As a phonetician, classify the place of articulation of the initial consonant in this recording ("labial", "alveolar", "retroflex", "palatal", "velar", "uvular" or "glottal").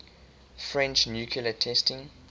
labial